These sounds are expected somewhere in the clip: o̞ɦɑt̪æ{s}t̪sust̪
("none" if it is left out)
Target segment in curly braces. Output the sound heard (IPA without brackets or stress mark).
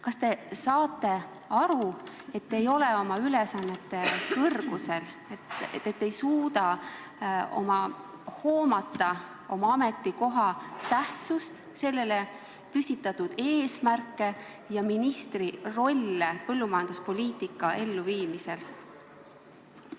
h